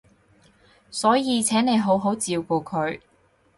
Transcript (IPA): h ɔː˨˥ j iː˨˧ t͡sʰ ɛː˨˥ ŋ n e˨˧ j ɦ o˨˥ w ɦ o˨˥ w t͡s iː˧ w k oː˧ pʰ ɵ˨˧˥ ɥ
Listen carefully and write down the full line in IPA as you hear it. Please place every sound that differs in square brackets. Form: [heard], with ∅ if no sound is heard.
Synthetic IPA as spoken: [s] ɔː˨˥ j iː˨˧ t͡sʰ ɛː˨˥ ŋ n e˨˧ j ɦ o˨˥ w ɦ o˨˥ w t͡s iː˧ w k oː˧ [kʰ] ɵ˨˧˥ ɥ